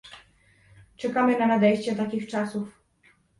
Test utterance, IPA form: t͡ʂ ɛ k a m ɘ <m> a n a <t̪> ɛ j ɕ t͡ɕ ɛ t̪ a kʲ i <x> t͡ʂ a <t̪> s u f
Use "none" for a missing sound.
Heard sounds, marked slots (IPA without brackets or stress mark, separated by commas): n, d̪, x, none